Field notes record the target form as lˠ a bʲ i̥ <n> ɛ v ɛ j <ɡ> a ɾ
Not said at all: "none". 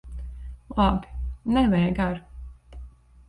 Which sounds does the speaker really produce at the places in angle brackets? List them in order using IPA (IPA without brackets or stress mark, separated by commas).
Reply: n, ɡ